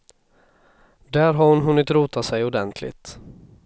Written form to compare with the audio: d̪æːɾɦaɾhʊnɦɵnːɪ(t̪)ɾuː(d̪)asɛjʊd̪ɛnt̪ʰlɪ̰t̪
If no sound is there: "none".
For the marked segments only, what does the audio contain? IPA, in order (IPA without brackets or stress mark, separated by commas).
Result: t̪, t̪